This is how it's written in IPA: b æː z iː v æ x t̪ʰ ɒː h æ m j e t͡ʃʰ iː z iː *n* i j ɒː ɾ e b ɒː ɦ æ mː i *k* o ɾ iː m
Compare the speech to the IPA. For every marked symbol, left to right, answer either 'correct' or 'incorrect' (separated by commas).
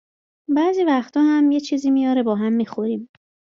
incorrect, incorrect